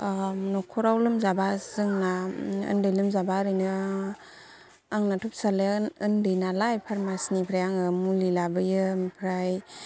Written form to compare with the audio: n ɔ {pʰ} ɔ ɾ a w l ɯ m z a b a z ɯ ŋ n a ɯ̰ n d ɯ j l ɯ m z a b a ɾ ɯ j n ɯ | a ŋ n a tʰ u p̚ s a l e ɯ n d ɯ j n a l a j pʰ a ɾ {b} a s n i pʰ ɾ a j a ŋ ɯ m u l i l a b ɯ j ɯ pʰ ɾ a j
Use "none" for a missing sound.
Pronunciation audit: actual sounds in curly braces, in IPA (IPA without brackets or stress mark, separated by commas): kʰ, m